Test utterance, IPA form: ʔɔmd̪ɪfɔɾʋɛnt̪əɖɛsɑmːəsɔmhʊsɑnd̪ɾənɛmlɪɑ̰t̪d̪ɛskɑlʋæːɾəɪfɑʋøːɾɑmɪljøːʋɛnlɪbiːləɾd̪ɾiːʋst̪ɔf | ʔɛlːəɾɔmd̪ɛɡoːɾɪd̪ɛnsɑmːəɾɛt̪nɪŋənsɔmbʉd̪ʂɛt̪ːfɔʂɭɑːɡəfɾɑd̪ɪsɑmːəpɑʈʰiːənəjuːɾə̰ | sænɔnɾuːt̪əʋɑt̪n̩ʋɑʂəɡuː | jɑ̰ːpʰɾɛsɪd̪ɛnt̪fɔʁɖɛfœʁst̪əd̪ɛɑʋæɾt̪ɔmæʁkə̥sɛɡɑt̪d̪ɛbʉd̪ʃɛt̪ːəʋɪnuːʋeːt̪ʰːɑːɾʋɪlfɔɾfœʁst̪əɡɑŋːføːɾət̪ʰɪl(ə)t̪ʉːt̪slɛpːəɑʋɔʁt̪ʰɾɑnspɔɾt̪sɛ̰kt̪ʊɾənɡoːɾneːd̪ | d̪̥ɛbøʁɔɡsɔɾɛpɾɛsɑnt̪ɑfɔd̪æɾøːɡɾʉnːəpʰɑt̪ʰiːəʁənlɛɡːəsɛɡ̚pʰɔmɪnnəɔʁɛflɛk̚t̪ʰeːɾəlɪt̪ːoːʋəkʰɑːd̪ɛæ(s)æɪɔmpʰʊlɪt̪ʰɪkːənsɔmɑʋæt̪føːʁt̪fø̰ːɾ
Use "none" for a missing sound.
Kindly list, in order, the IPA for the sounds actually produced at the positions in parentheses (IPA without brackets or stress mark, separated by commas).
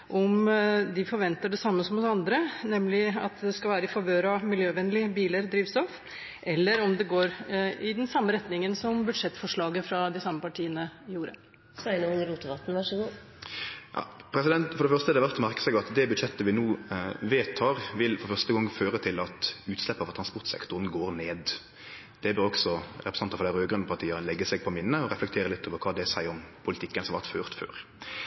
ɑ, s